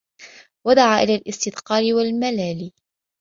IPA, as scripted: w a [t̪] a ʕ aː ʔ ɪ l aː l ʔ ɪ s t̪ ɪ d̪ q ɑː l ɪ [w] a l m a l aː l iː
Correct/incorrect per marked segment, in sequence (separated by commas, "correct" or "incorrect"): incorrect, correct